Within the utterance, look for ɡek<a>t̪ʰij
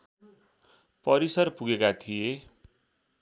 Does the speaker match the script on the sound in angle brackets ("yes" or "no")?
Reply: yes